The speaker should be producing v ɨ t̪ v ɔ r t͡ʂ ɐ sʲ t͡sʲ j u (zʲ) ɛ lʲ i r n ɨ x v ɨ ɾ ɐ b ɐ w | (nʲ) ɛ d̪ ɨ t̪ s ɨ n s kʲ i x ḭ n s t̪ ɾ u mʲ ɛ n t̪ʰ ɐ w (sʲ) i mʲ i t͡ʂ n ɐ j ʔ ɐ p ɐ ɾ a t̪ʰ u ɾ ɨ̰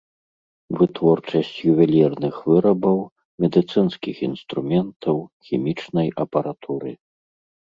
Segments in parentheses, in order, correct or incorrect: incorrect: vʲ, incorrect: mʲ, incorrect: xʲ

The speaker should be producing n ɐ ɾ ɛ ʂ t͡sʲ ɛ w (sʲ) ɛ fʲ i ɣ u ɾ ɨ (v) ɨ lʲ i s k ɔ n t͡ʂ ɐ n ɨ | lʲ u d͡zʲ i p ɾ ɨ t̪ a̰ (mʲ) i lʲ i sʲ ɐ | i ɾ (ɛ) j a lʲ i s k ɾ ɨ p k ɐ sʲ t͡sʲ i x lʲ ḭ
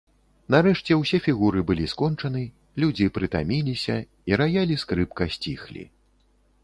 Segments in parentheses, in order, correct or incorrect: correct, incorrect: b, correct, incorrect: a

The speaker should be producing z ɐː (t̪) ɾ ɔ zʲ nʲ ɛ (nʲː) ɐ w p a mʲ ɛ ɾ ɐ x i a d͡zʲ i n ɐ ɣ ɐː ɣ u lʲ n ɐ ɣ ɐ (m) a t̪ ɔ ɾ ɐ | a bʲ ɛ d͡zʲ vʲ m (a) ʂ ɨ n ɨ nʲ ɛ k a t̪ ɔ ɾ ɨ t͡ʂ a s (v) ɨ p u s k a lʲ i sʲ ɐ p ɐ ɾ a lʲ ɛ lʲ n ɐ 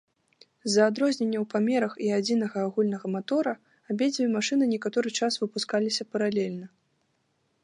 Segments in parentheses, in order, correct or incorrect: incorrect: d̪, correct, correct, correct, correct

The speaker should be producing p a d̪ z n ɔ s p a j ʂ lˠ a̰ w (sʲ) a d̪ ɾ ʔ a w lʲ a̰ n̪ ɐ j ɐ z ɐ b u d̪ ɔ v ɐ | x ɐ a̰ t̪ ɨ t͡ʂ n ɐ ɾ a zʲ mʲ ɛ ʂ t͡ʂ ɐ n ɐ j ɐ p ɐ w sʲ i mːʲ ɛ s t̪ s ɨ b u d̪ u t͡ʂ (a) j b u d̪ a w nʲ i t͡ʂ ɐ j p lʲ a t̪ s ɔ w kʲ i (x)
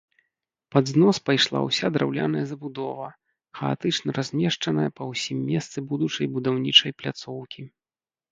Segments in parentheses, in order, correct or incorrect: correct, incorrect: ɐ, incorrect: none

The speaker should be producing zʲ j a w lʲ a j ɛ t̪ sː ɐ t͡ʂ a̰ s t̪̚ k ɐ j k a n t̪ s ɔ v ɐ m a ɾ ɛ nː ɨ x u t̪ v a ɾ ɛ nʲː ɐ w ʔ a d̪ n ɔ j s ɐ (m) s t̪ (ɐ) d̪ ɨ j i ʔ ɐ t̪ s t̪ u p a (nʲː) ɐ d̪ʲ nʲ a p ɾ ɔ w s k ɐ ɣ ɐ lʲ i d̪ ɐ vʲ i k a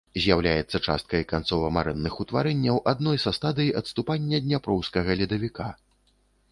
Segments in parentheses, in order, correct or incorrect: incorrect: none, incorrect: a, correct

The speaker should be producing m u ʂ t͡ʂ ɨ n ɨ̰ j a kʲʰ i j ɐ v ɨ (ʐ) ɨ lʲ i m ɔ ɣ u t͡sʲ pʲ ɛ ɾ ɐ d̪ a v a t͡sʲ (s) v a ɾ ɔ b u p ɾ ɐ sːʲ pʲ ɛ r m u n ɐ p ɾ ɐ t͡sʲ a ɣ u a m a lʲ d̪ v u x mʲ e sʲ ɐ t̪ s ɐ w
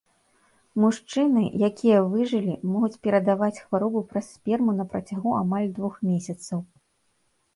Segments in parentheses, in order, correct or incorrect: correct, incorrect: x

